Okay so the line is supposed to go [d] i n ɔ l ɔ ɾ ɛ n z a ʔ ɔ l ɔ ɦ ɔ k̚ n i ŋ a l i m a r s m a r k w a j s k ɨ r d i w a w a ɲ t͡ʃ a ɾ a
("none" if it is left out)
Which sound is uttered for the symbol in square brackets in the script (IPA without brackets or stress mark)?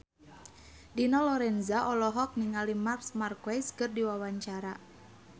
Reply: d